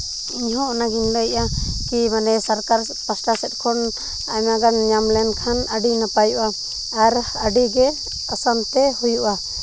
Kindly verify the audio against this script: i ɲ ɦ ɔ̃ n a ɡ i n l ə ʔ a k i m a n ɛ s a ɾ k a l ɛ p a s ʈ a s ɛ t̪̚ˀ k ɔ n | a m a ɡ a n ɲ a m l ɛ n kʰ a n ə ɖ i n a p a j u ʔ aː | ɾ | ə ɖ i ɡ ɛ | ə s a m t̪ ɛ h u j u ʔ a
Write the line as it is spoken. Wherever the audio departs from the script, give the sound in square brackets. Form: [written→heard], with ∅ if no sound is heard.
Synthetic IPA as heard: i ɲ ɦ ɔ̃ n a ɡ i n l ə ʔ a k i m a n ɛ s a ɾ k a [l→ɾ] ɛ p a s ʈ a s ɛ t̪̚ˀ [k→kʰ] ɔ n | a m a ɡ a n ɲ a m l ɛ n kʰ a n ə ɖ i n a p a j u ʔ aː | ɾ | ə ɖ i ɡ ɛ | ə s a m t̪ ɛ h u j u ʔ a